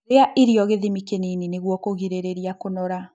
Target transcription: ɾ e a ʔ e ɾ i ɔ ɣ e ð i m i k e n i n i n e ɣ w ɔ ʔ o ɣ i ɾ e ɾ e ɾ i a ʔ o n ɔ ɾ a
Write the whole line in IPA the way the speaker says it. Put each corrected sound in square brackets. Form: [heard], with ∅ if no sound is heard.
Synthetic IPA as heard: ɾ e a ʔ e ɾ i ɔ ɣ e ð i m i k e n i n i n e ɣ w ɔ [k] o ɣ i ɾ e ɾ e ɾ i a [k] o n ɔ ɾ a